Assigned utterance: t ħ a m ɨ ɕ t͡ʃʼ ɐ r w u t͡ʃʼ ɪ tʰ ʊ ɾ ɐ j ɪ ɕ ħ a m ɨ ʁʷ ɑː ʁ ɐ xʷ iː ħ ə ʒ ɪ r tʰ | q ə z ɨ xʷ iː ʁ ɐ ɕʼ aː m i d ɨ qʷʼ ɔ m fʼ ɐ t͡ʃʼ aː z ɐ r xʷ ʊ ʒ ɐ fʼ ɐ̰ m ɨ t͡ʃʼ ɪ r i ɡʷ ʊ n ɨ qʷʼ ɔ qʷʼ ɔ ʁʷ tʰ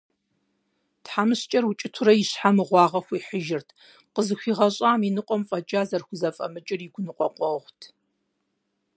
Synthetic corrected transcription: t ħ a m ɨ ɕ t͡ʃʼ ɐ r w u t͡ʃʼ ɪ tʰ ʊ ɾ ɐ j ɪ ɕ ħ a m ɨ ʁʷ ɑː ʁ ɐ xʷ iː ħ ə ʒ ɪ r tʰ | q ə z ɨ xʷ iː ʁ ɐ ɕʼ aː m i n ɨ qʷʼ ɔ m fʼ ɐ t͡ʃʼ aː z ɐ r xʷ ʊ z ɐ fʼ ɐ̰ m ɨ t͡ʃʼ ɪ r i ɡʷ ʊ n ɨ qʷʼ ɔ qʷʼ ɔ ʁʷ tʰ